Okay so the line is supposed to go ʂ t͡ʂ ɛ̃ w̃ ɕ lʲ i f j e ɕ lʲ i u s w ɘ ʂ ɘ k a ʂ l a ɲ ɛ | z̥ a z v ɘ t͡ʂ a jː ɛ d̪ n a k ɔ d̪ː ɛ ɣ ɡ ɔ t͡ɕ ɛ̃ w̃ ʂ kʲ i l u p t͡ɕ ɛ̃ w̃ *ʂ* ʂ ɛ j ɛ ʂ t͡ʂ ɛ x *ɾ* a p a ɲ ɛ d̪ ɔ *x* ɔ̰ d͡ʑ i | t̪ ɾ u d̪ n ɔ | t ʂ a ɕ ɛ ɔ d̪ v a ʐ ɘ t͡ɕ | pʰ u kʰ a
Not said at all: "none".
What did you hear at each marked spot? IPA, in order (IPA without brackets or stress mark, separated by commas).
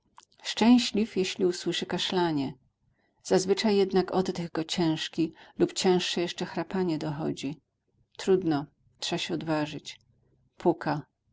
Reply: ʂ, ɾ, x